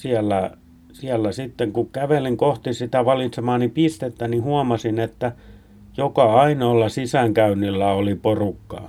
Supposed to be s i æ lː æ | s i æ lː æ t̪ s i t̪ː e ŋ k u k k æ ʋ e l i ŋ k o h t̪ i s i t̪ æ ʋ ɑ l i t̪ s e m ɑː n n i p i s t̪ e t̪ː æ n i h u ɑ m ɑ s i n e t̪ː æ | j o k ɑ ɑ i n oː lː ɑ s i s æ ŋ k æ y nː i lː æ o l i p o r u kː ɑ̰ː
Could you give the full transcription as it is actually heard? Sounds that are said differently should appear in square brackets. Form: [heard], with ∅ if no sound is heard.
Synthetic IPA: s i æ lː æ | s i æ lː æ [∅] s i t̪ː e ŋ k u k k æ ʋ e l i ŋ k o h t̪ i s i t̪ æ ʋ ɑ l i t̪ s e m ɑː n n i p i s t̪ e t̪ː æ n i h u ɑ m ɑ s i n e t̪ː æ | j o k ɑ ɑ i n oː lː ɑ s i s æ ŋ k æ y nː i lː æ o l i p o r u kː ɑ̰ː